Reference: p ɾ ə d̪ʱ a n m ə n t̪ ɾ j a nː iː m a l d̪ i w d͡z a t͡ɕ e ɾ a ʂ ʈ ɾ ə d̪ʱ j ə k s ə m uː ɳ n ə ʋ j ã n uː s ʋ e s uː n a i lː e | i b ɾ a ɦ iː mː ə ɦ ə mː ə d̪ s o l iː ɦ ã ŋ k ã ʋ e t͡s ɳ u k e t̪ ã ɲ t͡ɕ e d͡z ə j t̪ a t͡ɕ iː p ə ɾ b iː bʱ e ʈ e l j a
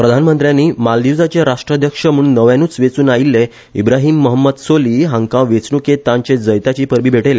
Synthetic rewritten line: p ɾ ə d̪ʱ a n m ə n t̪ ɾ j a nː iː m a l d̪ i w d͡z a t͡ɕ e ɾ a ʂ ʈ ɾ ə d̪ʱ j ə k ʂ ə m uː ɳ n ə ʋ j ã n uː t͡s ʋ e t͡s uː n a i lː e | i b ɾ a ɦ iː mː ə ɦ ə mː ə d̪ s o l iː ɦ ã ŋ k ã ʋ e t͡s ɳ u k e t̪ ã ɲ t͡ɕ e d͡z ə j t̪ a t͡ɕ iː p ə ɾ b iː bʱ e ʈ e l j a